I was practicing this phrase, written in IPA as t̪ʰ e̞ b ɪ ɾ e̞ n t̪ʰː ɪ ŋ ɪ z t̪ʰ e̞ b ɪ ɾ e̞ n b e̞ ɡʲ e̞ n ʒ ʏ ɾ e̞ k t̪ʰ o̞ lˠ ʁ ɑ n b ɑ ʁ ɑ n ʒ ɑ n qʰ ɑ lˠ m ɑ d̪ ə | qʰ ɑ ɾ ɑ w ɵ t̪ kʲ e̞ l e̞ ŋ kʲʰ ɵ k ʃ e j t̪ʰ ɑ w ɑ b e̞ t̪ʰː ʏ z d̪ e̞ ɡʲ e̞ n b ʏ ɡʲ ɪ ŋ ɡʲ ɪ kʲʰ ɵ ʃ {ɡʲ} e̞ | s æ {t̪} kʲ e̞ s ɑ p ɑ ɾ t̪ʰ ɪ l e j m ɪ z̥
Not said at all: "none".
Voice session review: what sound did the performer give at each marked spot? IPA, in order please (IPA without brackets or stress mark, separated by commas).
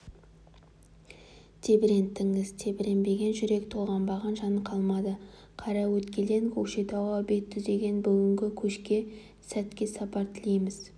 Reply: kʲ, t̪